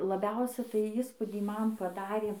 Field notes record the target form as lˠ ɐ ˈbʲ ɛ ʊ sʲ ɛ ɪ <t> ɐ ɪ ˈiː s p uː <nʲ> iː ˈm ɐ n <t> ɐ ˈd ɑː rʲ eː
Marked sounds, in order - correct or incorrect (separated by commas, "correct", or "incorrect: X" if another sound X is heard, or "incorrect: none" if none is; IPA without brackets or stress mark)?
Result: correct, incorrect: dʲ, incorrect: p